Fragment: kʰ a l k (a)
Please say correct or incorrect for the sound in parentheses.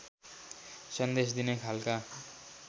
correct